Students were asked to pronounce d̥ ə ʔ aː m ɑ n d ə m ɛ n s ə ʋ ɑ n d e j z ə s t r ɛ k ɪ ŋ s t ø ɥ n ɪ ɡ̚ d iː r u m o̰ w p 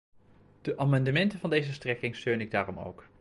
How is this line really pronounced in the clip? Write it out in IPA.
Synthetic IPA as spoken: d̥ ə ʔ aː m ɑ n d ə m ɛ n t ə v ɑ n d e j z ə s t r ɛ k ɪ ŋ s t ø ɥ n ɪ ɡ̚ d aː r ɔ m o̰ w k